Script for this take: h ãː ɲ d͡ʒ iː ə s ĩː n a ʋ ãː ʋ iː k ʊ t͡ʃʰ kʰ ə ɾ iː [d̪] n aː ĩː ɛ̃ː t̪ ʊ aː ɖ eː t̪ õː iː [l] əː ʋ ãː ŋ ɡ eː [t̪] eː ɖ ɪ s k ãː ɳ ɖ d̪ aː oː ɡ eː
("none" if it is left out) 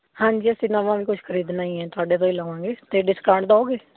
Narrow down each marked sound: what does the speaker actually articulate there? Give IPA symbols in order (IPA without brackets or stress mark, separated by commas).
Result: d̪, l, t̪